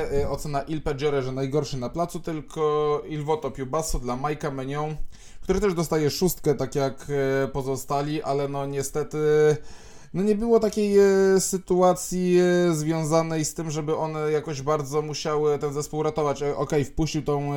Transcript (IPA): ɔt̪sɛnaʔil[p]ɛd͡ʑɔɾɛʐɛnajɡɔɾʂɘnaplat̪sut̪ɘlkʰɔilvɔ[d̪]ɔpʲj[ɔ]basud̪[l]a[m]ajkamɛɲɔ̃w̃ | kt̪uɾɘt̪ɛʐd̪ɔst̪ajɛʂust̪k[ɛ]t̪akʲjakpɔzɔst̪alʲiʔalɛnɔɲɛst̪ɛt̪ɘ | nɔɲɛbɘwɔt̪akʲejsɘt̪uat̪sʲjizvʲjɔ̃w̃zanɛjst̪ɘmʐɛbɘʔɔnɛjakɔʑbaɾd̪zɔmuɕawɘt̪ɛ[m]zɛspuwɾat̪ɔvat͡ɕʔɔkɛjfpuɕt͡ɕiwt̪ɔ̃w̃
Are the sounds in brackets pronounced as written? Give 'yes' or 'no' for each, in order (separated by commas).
yes, no, no, yes, yes, yes, no